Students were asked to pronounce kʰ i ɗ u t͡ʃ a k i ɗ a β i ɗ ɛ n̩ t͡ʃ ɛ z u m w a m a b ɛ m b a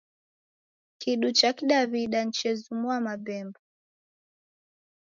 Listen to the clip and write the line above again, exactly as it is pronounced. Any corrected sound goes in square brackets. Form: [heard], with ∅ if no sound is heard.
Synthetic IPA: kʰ i ɗ u t͡ʃ a k i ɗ a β i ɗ [a] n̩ t͡ʃ ɛ z u m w a m a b ɛ m b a

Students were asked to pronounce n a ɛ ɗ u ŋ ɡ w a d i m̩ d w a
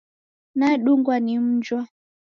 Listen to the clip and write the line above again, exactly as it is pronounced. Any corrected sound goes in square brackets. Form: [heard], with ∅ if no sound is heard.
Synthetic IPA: n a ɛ ɗ u ŋ ɡ w a [n] i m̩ [d͡ʒ] w a

